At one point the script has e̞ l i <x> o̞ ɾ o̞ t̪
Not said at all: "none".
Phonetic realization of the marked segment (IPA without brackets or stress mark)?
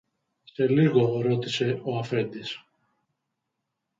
ɣ